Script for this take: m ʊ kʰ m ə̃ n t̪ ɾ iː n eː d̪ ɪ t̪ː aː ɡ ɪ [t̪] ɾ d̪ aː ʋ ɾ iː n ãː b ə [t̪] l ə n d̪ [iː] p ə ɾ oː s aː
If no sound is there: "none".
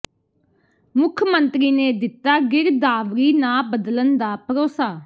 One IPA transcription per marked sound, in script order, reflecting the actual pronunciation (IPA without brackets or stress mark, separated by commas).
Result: none, d̪, aː